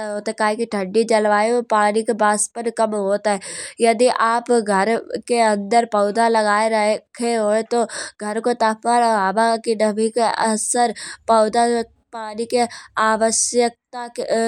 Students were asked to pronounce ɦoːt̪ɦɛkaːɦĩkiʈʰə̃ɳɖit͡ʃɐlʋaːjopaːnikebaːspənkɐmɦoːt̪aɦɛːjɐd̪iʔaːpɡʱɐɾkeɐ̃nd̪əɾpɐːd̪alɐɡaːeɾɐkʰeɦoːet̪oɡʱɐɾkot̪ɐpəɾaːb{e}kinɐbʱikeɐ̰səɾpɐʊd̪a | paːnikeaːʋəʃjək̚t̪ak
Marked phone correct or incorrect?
incorrect: a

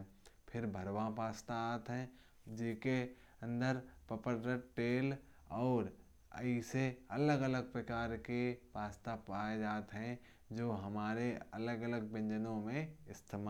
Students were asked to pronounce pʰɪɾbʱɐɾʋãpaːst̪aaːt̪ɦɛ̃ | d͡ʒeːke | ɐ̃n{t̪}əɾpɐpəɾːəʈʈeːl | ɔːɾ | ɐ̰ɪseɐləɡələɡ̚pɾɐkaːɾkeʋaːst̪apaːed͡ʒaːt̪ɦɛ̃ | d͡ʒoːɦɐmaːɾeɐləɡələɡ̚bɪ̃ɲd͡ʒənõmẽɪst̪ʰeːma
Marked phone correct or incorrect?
incorrect: d̪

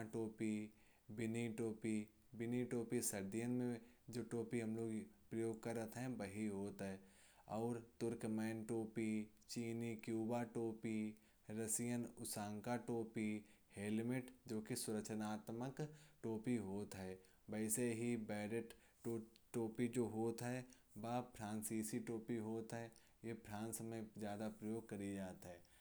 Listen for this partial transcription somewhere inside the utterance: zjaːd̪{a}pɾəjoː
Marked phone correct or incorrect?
correct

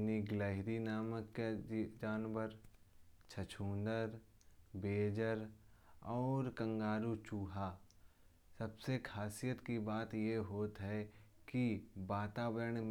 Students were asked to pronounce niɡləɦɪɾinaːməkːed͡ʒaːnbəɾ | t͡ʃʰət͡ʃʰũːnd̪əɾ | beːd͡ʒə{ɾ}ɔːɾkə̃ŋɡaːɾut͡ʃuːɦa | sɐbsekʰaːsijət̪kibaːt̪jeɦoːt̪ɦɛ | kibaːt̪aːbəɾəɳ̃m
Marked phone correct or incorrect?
correct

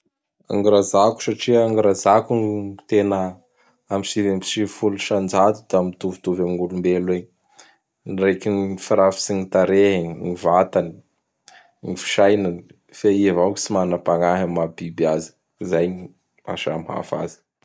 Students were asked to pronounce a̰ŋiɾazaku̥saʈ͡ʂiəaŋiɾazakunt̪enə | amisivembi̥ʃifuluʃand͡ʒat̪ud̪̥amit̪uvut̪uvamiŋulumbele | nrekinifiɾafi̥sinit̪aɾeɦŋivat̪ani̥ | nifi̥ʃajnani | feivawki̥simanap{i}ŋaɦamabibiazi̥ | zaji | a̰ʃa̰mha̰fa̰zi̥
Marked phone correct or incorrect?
incorrect: a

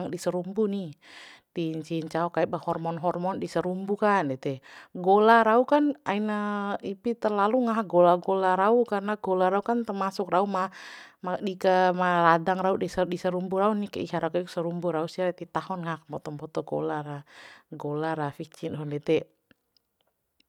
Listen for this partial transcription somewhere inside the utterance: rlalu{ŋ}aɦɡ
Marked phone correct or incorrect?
correct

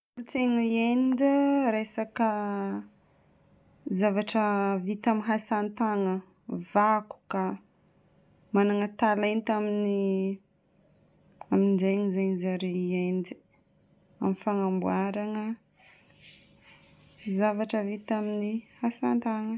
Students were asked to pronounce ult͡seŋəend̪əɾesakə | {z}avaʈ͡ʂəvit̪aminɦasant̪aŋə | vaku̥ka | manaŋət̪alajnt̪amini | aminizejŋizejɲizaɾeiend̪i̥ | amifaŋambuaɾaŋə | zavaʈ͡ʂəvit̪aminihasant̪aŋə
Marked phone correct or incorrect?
correct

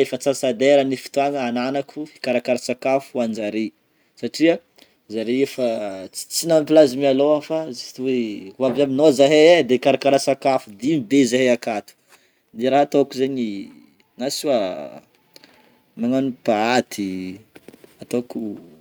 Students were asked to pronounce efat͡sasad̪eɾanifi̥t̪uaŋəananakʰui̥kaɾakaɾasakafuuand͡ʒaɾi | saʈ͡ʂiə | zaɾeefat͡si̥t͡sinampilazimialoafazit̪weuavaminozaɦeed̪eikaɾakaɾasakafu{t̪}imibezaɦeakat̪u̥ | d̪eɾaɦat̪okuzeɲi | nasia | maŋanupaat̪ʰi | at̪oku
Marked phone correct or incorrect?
incorrect: d̪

